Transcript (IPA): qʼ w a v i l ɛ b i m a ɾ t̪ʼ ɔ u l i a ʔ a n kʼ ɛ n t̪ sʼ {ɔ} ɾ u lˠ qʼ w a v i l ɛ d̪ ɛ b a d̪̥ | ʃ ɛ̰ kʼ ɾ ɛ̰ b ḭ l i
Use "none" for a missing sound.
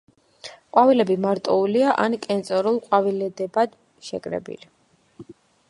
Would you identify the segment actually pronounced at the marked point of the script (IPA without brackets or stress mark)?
ɔ